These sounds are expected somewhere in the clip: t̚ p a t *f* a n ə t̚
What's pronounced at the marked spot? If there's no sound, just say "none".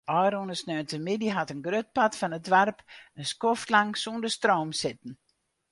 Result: f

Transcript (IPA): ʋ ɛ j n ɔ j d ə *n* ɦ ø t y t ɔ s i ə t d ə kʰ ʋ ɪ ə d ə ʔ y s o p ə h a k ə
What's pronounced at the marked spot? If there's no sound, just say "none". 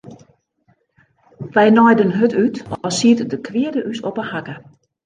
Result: n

